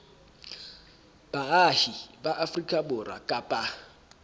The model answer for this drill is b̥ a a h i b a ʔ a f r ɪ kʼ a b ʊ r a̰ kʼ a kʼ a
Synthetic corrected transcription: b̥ a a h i b a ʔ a f r i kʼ a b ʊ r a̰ kʼ a pʼ a